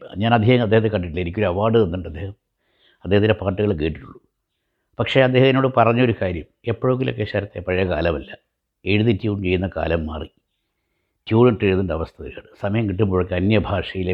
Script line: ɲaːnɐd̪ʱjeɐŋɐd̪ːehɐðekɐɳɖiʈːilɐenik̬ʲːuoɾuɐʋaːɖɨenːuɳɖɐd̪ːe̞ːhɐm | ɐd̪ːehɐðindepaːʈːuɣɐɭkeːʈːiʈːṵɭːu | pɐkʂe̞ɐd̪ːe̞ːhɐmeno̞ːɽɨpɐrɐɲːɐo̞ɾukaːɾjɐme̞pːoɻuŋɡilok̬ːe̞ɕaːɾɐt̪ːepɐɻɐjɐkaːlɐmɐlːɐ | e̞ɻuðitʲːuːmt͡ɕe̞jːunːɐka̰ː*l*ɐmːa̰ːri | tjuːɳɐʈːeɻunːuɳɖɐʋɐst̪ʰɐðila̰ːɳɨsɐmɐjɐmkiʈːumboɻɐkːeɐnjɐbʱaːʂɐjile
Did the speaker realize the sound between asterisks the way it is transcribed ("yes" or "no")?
yes